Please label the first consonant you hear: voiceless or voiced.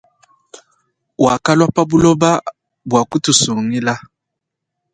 voiced